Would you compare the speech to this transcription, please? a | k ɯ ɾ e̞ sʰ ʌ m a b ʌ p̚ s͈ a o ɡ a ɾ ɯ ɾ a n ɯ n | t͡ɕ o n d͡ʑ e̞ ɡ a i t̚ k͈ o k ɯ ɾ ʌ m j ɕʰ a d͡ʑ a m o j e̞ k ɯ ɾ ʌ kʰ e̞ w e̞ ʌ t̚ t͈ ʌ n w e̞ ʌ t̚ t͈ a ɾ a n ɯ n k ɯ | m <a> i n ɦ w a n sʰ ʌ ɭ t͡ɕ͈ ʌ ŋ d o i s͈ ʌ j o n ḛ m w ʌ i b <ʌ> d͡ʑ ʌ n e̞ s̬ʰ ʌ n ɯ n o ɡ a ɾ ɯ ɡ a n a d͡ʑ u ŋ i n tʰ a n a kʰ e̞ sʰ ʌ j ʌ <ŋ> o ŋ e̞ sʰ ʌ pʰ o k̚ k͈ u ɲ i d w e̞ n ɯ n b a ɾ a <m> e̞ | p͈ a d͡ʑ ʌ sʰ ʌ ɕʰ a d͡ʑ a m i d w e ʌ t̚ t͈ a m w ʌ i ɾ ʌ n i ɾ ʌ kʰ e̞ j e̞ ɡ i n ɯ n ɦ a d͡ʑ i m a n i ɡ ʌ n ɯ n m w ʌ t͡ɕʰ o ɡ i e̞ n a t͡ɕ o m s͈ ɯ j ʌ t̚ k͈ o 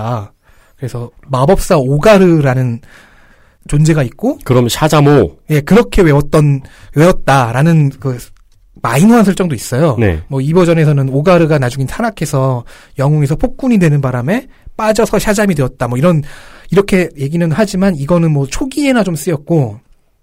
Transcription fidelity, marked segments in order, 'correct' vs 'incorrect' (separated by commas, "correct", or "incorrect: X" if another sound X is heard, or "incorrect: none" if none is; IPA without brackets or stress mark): correct, correct, correct, correct